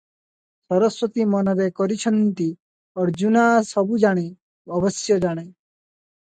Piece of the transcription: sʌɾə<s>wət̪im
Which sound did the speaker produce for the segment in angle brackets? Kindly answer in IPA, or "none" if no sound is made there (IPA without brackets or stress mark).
s